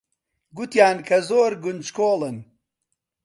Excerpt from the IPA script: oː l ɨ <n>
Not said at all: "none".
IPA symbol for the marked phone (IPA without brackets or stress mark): n